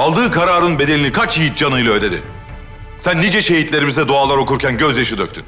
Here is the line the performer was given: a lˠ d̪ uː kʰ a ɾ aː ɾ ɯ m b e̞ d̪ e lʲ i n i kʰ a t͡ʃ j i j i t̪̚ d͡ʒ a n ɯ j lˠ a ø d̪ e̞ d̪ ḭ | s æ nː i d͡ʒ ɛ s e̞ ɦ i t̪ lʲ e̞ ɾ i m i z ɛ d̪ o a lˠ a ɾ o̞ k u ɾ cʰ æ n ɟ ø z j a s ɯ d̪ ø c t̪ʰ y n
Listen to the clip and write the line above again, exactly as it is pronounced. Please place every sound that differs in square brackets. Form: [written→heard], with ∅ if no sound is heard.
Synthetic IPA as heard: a lˠ d̪ [uː→ɯː] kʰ a ɾ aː ɾ ɯ [m→n] b e̞ d̪ e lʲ i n i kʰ a t͡ʃ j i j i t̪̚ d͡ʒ a n ɯ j lˠ a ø d̪ e̞ d̪ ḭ | s æ nː i d͡ʒ ɛ [s→ʃ] e̞ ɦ i t̪ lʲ e̞ ɾ i m i z ɛ d̪ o a lˠ a ɾ o̞ k u ɾ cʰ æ n ɟ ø z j a [s→ʃ] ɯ d̪ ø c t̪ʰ y n